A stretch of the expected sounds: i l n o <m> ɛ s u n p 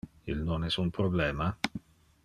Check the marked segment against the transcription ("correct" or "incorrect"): incorrect